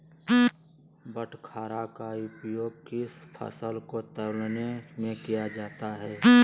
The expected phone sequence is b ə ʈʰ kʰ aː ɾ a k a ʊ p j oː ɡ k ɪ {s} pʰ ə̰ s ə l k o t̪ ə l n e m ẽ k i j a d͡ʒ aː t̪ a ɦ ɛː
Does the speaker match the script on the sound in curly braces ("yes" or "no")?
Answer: yes